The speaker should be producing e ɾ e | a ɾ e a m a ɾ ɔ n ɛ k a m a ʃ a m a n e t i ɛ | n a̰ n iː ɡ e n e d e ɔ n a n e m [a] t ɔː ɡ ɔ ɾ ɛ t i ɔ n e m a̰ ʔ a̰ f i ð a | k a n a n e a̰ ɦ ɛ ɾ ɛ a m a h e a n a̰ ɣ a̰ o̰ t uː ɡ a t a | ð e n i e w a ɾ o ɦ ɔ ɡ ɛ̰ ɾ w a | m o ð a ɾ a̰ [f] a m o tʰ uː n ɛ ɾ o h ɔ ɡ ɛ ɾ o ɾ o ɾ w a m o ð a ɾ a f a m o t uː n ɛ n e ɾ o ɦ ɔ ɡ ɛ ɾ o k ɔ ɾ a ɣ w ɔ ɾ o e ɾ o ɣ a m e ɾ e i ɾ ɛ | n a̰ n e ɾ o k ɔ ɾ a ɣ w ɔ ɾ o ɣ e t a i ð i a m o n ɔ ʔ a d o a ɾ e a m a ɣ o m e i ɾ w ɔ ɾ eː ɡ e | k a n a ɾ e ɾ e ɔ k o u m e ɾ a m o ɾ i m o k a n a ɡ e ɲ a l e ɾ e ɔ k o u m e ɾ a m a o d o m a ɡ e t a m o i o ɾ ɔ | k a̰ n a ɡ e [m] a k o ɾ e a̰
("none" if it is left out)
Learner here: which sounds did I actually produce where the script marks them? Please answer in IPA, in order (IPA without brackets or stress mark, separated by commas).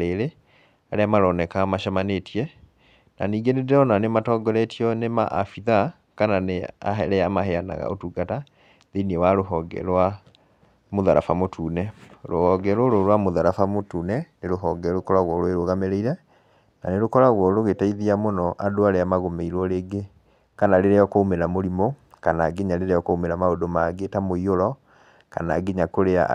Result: a, f, ɲ